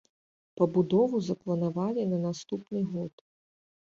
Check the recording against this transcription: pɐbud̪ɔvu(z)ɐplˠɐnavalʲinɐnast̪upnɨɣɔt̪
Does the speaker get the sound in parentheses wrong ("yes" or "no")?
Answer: no